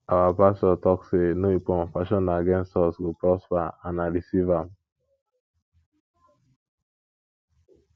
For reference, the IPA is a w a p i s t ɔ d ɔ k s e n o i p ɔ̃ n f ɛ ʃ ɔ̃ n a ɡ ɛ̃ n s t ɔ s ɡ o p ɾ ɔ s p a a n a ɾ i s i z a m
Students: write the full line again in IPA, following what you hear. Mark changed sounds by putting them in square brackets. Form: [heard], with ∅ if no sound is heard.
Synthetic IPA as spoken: a w a p [a] s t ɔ [t] ɔ k s e n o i p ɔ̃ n f [a] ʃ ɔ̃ n a ɡ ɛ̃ n s t ɔ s ɡ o p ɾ ɔ s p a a n a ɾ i s i [v] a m